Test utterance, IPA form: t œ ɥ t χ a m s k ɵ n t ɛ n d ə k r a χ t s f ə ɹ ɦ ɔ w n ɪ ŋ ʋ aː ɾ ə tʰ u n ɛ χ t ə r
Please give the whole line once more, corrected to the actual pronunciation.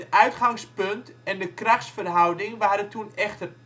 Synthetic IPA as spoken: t œ ɥ t χ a ŋ s p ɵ n t ɛ n d ə k r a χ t s f ə r ɦ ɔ w d ɪ ŋ ʋ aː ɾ ə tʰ u n ɛ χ t ə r